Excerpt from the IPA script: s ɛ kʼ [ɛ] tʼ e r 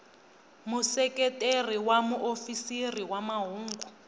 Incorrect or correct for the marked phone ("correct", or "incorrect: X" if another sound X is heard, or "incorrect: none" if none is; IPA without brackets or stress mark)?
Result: correct